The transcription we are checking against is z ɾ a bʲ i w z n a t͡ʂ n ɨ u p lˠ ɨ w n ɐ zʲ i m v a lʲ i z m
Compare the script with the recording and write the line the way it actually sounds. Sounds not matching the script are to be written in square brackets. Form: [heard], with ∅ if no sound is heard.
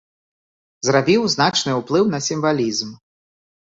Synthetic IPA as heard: z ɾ a bʲ i w z n a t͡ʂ n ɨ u p lˠ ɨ w n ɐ [sʲ] i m v a lʲ i z m